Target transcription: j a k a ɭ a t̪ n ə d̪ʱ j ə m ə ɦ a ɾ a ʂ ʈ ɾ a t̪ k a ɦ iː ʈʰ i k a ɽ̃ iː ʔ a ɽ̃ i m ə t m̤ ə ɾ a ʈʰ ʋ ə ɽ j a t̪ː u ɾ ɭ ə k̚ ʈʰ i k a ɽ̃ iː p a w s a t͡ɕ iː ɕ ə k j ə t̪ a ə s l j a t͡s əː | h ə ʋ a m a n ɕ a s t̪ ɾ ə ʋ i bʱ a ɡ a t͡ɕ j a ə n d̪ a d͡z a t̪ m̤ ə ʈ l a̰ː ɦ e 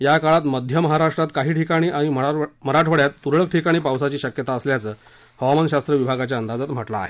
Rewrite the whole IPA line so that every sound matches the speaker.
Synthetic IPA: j a k a ɭ a t̪ m ə d̪ʱ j ə m ə ɦ a ɾ a ʂ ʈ ɾ a t̪ k a ɦ iː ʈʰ i k a ɽ̃ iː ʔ a ɽ̃ i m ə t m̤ ə ɾ a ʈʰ ʋ ə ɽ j a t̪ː u ɾ ɭ ə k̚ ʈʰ i k a ɽ̃ iː p a w s a t͡ɕ iː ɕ ə k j ə t̪ a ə s l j a t͡s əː | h ə ʋ a m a n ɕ a s t̪ ɾ ə ʋ i bʱ a ɡ a t͡ɕ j a ə n d̪ a d͡z a t̪ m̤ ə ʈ l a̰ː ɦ e

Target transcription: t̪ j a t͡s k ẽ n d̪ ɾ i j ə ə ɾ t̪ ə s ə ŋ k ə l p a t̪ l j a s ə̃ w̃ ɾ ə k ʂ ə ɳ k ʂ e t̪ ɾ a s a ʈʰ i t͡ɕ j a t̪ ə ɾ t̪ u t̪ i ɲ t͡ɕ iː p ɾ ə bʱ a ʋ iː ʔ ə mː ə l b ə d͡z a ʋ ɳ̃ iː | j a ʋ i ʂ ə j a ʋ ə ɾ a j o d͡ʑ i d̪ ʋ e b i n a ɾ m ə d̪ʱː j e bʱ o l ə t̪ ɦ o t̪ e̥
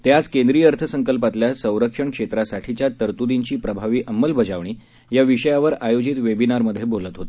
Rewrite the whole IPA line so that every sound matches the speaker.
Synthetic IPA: t̪ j a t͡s k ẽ n d̪ ɾ i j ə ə ɾ t̪ʰ ə s ə ŋ k ə l p a t̪ l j a s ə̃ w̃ ɾ ə k ʂ ə ɳ k ʂ e t̪ ɾ a s a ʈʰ i t͡ɕ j a t̪ ə ɾ t̪ u d̪ i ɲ t͡ɕ iː p ɾ ə bʱ a ʋ iː ʔ ə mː ə l b ə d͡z a ʋ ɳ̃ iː | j a ʋ i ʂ ə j a ʋ ə ɾ a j o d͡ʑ i t̪ ʋ e b i n a ɾ m ə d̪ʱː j e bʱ o l ə t̪ ɦ o t̪ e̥

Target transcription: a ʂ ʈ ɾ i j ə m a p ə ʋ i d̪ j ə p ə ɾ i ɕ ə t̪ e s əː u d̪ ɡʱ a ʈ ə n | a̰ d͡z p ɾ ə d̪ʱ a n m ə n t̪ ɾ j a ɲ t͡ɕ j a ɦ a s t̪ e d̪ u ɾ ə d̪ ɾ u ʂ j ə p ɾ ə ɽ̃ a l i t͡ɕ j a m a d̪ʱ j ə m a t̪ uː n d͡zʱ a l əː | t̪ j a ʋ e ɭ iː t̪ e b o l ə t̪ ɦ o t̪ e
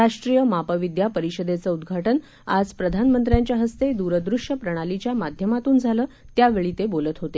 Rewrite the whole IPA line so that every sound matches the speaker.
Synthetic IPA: a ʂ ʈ ɾ i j ə m a p ə ʋ i d̪ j a p ə ɾ i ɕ ə d̪ e t͡s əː u d̪ ɡʱ a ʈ ə n | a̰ d͡z p ɾ ə d̪ʱ a n m ə n t̪ ɾ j a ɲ t͡ɕ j a ɦ ə s t̪ e d̪ u ɾ ə d̪ ɾ u ʂ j ə p ɾ ə ɽ̃ a l i t͡ɕ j a m a d̪ʱ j ə m a t̪ uː n d͡zʱ a l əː | t̪ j a ʋ e ɭ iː t̪ e b o l ə t̪ ɦ o t̪ e

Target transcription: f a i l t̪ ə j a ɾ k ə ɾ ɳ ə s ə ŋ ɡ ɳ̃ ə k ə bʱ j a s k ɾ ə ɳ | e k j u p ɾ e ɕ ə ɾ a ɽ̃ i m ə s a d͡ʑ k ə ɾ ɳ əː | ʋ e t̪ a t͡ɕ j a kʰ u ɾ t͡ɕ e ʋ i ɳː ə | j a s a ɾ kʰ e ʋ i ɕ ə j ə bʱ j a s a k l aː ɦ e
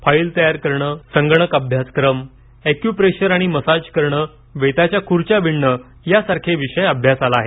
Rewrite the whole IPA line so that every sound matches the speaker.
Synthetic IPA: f a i l t̪ ə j a ɾ k ə ɾ ɳ ə s ə ŋ ɡ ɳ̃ ə k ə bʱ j a s k ɾ ə m | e k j u p ɾ e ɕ ə ɾ a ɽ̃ i m ə s a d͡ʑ k ə ɾ ɳ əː | ʋ e t̪ a t͡ɕ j a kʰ u ɾ t͡ɕ a ʋ i ɳː ə | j a s a ɾ kʰ e ʋ i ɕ ə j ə bʱ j a s a l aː ɦ e

